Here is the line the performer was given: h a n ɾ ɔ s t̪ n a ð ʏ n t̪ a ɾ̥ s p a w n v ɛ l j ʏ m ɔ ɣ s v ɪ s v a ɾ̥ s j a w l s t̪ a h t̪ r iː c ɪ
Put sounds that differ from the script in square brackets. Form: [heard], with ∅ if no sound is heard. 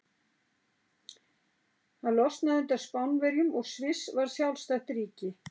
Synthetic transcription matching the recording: h a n [l] ɔ s t̪ n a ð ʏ n t̪ a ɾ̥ s p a w n v ɛ [ɾ] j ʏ m ɔ ɣ s v ɪ s v a ɾ̥ s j a w l s t̪ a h t̪ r iː c ɪ